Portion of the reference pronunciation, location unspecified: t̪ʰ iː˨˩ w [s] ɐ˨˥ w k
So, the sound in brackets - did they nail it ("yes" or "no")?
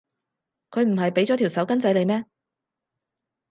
yes